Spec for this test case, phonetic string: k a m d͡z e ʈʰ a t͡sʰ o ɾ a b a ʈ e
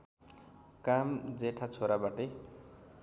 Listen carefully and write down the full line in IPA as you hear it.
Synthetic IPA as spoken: k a m d͡z e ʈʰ a t͡sʰ o ɾ a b a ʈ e